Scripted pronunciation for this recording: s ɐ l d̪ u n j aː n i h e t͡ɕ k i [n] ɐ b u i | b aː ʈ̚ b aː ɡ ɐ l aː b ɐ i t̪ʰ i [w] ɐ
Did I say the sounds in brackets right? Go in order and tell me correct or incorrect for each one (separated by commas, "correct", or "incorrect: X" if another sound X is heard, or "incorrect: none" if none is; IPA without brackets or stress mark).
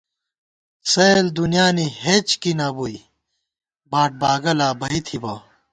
correct, incorrect: b